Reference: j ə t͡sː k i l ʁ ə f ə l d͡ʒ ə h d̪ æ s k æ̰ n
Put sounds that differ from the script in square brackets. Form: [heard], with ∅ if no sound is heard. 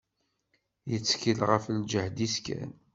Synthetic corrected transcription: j ə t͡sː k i l ʁ ə f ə l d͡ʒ ə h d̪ [i] s k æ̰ n